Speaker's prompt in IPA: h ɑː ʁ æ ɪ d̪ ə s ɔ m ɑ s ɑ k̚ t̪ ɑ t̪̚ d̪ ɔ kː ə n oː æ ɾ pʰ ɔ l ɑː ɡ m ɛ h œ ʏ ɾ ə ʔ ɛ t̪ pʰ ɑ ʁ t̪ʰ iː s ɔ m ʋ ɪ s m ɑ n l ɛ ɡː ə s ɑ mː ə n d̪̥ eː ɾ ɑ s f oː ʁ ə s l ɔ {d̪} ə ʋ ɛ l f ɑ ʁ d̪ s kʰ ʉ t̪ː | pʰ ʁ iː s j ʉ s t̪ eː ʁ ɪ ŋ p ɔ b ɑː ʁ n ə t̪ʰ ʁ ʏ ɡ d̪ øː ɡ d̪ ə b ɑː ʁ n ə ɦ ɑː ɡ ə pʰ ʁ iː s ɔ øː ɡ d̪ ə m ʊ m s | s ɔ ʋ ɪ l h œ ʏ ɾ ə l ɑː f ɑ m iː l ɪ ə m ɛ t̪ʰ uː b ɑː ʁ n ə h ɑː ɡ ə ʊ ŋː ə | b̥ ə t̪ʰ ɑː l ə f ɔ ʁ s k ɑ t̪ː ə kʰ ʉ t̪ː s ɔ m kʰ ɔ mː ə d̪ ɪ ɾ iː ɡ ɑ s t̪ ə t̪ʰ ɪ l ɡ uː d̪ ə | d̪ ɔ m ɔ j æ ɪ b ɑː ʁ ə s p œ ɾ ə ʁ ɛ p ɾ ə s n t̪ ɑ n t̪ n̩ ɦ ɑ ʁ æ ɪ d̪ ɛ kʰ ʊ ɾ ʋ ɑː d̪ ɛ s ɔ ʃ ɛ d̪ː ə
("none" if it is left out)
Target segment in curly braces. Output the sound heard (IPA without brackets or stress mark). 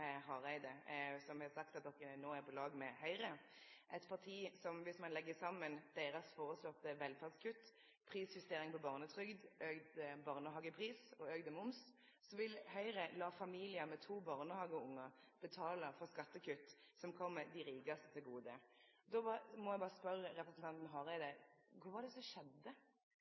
t̪